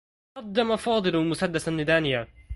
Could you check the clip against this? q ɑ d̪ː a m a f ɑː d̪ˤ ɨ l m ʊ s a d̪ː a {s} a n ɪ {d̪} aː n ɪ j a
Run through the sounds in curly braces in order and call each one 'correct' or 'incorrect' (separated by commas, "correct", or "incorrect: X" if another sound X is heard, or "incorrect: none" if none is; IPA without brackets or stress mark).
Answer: correct, correct